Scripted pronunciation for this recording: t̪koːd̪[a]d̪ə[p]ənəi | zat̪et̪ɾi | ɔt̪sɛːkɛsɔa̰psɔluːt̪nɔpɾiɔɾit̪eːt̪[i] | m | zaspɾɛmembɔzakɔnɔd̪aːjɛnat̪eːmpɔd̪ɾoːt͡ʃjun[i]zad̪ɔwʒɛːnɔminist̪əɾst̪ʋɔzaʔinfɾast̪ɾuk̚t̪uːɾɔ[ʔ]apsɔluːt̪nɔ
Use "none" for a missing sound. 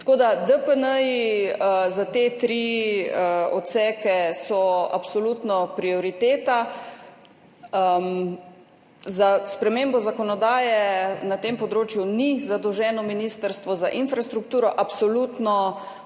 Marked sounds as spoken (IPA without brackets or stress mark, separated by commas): a, p, a, i, ʔ